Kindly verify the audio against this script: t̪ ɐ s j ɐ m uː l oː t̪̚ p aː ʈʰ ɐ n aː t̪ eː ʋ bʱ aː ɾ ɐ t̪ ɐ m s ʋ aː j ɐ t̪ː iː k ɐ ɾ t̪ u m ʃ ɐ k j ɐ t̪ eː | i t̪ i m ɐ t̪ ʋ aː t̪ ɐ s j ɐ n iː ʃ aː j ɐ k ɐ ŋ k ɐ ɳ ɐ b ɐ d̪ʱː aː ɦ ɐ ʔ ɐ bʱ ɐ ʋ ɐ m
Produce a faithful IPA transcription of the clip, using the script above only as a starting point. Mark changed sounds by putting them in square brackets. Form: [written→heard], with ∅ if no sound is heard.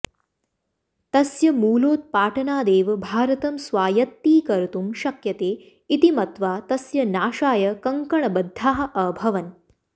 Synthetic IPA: t̪ ɐ s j ɐ m uː l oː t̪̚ p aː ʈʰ ɐ n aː [t̪→d̪] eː ʋ bʱ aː ɾ ɐ t̪ ɐ m s ʋ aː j ɐ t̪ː iː k ɐ ɾ t̪ u m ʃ ɐ k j ɐ t̪ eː | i t̪ i m ɐ t̪ ʋ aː t̪ ɐ s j ɐ n [iː→aː] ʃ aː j ɐ k ɐ ŋ k ɐ ɳ ɐ b ɐ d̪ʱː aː ɦ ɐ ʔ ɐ bʱ ɐ ʋ ɐ [m→n]